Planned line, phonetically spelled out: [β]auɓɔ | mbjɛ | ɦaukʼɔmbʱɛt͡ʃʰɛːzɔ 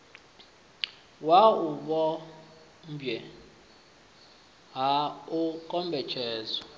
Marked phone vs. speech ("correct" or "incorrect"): incorrect